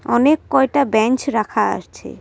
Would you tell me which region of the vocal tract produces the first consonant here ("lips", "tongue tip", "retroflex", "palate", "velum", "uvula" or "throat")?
tongue tip